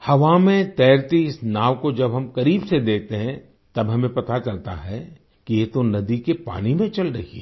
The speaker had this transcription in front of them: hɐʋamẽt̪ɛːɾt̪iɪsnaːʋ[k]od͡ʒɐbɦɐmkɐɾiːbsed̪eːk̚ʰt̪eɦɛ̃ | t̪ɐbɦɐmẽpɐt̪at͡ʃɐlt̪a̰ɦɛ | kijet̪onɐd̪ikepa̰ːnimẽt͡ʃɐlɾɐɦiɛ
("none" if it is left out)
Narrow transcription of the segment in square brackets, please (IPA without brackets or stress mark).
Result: k